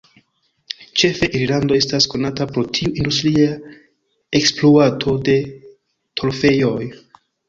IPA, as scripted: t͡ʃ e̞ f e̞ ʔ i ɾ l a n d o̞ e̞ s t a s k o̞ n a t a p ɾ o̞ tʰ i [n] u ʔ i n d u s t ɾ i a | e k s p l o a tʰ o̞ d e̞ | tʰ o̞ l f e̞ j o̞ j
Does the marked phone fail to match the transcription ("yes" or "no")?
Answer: yes